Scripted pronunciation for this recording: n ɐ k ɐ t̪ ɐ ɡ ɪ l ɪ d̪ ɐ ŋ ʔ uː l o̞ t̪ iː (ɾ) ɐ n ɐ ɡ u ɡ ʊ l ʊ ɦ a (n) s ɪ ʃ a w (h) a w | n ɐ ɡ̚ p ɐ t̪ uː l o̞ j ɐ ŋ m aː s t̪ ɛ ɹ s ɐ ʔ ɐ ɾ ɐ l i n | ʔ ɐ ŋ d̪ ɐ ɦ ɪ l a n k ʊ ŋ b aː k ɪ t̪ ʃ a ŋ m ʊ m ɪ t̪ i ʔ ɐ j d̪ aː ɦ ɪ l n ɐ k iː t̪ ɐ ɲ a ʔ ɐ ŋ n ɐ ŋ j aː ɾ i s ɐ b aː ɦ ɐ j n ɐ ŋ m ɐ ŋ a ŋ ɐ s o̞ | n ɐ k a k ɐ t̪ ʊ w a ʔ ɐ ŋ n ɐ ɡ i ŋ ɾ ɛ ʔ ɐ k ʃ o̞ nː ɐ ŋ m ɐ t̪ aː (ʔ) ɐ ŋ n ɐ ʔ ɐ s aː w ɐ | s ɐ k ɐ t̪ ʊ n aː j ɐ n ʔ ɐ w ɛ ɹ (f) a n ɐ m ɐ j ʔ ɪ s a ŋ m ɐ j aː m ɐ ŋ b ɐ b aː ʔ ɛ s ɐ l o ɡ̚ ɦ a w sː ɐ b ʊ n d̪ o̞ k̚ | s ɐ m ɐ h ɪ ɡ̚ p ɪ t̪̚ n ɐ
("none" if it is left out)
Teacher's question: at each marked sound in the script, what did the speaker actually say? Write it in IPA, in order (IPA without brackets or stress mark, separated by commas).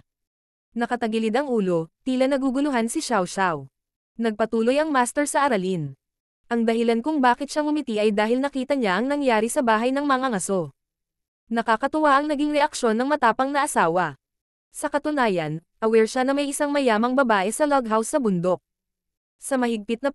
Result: l, n, ʃ, p, ʃ